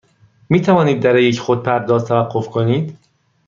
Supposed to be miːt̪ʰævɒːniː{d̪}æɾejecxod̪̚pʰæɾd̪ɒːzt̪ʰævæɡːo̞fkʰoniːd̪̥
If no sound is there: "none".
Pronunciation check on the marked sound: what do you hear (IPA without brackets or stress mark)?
d̪ː